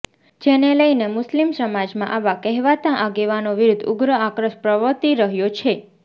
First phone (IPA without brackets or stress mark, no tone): d͡ʒ